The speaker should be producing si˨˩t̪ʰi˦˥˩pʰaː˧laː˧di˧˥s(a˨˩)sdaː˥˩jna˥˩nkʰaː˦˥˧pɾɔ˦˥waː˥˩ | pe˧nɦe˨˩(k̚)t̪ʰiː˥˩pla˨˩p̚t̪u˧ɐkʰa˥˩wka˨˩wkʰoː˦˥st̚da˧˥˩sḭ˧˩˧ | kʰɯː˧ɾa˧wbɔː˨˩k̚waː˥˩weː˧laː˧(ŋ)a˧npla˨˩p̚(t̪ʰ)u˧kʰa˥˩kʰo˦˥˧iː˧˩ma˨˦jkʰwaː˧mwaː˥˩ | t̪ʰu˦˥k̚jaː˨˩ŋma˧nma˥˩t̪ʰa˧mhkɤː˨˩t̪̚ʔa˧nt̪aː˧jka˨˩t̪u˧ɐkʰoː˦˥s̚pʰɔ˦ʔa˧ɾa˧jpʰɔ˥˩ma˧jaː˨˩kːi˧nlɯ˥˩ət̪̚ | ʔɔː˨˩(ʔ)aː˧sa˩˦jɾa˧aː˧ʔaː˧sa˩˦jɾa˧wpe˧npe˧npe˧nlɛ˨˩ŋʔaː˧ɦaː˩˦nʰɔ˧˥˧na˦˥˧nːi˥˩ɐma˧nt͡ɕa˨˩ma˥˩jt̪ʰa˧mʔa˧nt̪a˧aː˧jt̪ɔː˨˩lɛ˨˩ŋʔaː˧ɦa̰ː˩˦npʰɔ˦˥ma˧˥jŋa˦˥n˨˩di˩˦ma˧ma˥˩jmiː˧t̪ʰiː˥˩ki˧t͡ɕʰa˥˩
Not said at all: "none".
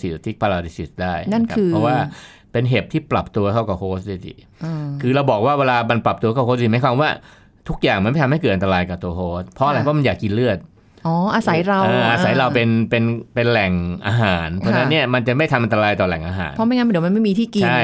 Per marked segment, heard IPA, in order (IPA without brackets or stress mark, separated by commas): i˨˩, p̚, m, t̪, ʔ